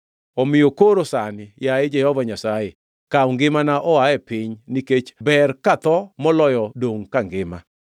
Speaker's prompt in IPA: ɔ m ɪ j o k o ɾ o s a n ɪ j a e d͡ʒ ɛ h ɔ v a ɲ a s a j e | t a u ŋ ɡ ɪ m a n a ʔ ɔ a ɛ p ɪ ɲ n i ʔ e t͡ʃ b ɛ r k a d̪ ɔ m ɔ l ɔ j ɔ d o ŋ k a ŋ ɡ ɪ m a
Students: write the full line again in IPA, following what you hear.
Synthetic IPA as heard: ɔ m ɪ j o k o ɾ o s a n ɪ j a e d͡ʒ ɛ h ɔ v a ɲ a s a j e | k a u ŋ ɡ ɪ m a n a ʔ ɔ a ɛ p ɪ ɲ n i k e t͡ʃ b ɛ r k a t̪ ɔ m ɔ l ɔ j ɔ d o ŋ k a ŋ ɡ ɪ m a